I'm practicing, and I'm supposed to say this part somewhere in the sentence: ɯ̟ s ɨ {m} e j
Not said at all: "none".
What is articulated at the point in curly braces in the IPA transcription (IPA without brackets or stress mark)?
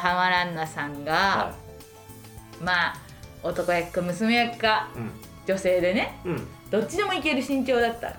m